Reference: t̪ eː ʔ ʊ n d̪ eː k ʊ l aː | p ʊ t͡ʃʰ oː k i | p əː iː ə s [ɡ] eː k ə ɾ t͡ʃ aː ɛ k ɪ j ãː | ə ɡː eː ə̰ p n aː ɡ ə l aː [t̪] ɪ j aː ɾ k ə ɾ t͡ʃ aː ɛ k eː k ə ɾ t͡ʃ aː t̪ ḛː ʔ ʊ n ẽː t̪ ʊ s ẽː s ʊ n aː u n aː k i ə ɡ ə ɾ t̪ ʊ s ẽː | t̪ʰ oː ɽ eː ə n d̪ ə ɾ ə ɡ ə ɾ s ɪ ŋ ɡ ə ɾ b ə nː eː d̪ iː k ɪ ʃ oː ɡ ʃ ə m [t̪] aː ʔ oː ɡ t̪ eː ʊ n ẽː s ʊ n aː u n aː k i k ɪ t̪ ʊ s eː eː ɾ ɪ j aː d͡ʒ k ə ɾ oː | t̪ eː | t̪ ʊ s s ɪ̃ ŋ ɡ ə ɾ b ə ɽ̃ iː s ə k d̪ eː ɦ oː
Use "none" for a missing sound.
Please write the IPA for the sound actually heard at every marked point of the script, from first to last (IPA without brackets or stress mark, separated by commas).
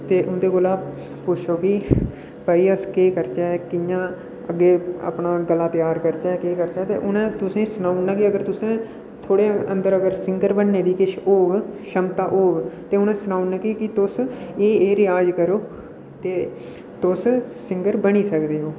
k, t̪, t̪